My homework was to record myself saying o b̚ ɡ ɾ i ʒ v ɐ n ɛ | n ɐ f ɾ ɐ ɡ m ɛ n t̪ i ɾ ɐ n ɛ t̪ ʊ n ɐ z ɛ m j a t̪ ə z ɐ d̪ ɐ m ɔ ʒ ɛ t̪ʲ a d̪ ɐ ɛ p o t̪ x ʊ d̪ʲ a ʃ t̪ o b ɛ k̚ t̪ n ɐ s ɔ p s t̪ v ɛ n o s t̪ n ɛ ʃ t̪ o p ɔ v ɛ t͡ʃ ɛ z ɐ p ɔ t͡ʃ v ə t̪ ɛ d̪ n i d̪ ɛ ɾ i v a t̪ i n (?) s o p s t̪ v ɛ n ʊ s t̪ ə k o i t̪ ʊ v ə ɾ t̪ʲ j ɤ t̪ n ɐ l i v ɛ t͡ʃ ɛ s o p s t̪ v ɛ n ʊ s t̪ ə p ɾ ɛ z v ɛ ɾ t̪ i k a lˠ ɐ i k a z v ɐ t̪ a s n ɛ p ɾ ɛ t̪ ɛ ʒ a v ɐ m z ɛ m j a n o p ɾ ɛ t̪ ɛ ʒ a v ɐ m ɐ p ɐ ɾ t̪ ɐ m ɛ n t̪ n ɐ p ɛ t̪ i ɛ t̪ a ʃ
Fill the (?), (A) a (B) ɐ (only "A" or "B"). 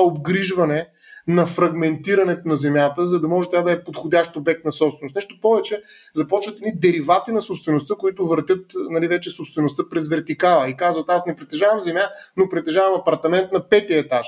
B